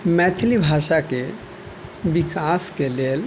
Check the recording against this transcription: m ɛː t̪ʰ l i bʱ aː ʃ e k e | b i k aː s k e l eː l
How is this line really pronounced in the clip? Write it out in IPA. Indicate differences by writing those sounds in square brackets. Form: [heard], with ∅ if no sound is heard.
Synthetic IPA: m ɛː t̪ʰ l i bʱ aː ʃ [a] k e | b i k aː s k e l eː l